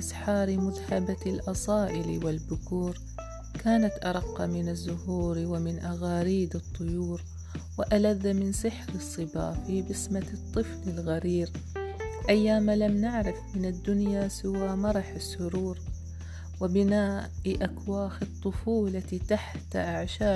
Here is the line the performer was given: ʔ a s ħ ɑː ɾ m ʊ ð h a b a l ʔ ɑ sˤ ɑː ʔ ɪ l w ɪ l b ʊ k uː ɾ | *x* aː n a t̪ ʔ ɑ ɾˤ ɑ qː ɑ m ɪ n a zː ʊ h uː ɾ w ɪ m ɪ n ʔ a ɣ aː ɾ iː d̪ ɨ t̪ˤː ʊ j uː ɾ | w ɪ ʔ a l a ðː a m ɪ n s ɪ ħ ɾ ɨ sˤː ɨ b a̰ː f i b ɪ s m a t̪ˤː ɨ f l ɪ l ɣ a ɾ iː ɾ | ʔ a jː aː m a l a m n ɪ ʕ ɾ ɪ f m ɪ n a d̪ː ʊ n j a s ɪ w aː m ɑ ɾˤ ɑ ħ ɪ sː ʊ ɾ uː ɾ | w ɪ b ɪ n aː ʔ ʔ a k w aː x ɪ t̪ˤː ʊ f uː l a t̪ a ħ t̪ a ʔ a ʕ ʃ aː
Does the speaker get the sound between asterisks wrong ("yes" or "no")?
yes